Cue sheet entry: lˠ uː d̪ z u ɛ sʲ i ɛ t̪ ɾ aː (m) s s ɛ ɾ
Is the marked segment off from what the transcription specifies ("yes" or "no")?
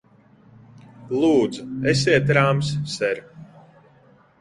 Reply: no